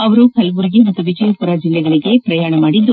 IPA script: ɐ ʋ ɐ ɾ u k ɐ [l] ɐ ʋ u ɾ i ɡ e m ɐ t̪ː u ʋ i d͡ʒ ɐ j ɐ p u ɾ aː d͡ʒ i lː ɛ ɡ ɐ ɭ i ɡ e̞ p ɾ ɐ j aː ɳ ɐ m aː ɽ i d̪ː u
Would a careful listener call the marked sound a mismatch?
no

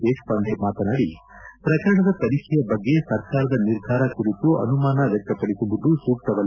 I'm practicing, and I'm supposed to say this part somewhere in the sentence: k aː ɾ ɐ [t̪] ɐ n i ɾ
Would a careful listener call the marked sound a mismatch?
yes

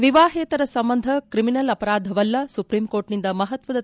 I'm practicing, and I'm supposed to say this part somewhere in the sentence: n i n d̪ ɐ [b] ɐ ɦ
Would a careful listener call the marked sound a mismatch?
yes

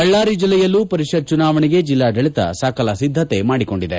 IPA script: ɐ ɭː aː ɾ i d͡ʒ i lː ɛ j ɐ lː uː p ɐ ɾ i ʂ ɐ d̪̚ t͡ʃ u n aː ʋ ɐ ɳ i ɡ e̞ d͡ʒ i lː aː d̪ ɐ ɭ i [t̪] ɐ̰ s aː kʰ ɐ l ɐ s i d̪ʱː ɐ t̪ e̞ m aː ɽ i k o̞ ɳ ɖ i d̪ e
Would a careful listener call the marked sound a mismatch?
no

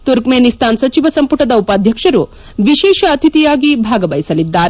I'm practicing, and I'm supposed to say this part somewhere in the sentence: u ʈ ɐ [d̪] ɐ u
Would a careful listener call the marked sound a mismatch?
no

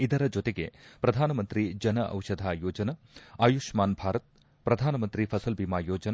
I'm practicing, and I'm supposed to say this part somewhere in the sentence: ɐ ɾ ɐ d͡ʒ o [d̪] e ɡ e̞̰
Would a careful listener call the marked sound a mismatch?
yes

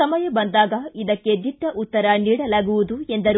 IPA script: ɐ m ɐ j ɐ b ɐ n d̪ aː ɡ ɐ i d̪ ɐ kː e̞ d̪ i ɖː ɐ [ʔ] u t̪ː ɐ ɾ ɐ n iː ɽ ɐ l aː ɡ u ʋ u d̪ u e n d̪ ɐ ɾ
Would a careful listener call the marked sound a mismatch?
no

